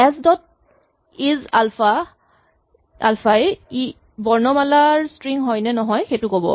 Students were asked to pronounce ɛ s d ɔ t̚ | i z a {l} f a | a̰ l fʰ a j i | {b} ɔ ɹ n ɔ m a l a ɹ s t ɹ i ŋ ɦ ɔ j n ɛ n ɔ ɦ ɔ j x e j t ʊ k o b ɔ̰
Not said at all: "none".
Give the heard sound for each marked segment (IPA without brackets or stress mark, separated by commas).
l, b